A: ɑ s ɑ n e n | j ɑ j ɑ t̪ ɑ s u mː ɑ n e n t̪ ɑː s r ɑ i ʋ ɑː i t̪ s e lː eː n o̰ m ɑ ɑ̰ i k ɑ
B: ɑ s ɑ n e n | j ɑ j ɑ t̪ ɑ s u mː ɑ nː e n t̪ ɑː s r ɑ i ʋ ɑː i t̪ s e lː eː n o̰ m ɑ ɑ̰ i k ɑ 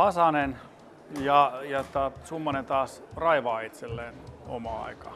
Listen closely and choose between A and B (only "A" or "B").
A